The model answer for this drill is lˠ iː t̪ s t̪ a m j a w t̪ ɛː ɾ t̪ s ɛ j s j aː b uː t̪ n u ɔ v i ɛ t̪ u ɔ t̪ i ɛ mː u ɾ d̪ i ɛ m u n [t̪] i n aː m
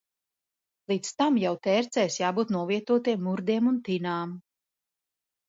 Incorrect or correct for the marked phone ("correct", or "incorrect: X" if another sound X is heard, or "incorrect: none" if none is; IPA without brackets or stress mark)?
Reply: correct